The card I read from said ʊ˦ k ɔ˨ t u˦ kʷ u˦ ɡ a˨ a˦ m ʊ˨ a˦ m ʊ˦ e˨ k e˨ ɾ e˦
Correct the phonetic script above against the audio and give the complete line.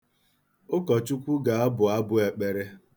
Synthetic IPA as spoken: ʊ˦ k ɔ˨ t͡ʃ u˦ kʷ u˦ ɡ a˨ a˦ b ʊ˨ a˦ b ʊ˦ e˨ k͡p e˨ ɾ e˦